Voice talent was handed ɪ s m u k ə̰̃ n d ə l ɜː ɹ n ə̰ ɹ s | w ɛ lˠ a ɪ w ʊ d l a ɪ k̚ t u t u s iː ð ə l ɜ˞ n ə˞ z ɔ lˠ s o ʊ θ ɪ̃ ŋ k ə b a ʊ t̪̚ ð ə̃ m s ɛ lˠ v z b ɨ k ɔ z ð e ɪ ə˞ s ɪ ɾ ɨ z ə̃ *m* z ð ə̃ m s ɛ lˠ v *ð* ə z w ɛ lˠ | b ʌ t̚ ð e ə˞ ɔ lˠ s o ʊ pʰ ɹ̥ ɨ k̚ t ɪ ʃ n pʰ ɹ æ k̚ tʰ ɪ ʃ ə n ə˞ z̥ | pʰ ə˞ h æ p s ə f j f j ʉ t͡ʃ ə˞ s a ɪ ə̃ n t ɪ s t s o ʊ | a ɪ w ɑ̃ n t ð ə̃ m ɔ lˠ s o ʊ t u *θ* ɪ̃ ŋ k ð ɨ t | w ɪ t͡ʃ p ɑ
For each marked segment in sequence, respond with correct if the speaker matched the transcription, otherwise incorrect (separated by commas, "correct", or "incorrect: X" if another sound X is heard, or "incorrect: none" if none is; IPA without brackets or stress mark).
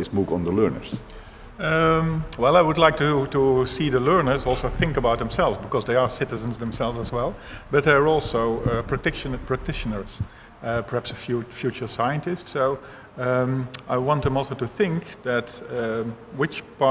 incorrect: n, incorrect: z, correct